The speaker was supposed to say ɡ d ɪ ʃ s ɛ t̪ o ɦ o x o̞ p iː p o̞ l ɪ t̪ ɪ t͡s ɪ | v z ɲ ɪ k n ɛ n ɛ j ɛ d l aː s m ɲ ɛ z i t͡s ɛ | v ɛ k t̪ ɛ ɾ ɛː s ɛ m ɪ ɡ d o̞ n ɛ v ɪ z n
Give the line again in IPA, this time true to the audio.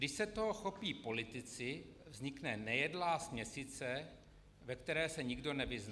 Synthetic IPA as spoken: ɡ d ɪ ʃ s ɛ t̪ o ɦ o x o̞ p iː p o̞ l ɪ t̪ ɪ t͡s ɪ | v z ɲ ɪ k n ɛ n ɛ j ɛ d l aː s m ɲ ɛ s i t͡s ɛ | v ɛ k t̪ ɛ ɾ ɛː s ɛ ɲ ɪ ɡ d o̞ n ɛ v ɪ z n